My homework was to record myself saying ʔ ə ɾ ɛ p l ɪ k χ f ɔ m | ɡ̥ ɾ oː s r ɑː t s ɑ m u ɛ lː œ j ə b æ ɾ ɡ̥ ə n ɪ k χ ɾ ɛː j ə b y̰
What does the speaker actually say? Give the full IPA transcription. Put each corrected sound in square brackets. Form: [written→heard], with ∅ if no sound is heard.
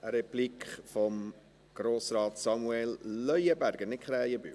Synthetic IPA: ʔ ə ɾ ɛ p l [ɪ→i] k χ f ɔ m | ɡ̥ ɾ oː s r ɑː t s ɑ m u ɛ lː œ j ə b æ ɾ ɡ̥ ə n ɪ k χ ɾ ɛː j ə b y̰